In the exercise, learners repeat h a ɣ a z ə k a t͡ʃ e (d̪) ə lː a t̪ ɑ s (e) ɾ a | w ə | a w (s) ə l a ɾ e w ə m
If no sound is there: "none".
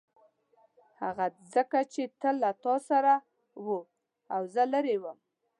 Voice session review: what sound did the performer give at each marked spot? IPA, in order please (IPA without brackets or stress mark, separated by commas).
t̪, a, z